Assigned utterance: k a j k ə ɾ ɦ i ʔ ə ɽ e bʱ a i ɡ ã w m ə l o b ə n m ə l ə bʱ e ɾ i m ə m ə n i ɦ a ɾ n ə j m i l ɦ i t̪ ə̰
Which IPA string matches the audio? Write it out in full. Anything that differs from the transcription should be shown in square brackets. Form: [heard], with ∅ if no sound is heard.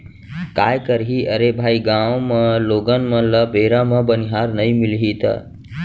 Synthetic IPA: k a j k ə ɾ ɦ i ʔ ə [ɾ] e bʱ a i ɡ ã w m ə l o [ɡ] ə n m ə l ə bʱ e ɾ [a] m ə [b] ə n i ɦ a ɾ n ə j m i l ɦ i t̪ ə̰